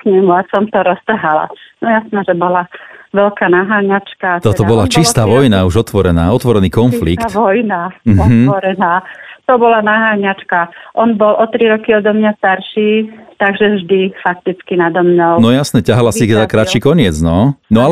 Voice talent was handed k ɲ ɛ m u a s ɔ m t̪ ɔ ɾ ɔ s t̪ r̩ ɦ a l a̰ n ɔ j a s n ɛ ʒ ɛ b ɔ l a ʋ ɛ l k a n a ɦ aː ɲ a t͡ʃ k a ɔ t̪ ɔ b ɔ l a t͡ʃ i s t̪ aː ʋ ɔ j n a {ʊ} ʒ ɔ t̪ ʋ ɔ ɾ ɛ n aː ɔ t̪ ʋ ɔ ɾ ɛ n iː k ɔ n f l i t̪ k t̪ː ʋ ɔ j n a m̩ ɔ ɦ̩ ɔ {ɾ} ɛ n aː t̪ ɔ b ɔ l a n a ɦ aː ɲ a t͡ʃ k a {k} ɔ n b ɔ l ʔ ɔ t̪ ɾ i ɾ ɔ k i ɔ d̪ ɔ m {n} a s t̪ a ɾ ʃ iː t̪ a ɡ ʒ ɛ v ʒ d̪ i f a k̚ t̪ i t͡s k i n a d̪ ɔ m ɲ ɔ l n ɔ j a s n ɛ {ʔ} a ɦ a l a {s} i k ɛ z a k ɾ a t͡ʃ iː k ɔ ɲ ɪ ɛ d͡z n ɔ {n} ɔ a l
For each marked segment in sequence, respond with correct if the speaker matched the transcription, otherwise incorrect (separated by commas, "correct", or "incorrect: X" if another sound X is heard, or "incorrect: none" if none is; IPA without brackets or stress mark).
incorrect: u, correct, incorrect: ʔ, incorrect: ɲ, incorrect: c, correct, correct